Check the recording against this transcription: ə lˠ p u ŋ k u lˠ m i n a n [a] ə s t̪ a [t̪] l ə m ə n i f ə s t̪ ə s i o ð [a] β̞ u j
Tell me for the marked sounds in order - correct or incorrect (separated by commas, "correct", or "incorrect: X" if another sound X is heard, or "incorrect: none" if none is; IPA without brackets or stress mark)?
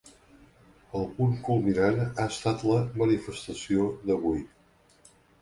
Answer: correct, correct, incorrect: ə